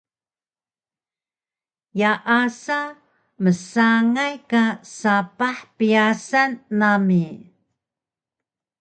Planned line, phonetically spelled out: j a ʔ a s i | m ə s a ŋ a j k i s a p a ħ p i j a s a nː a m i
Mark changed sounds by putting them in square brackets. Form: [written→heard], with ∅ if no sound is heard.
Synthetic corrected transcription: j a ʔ a s [i→a] | m ə s a ŋ a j k [i→a] s a p a ħ p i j a s a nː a m i